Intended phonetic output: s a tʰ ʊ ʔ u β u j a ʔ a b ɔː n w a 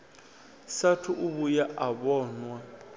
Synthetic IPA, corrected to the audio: s a tʰ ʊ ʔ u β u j a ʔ a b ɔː n w a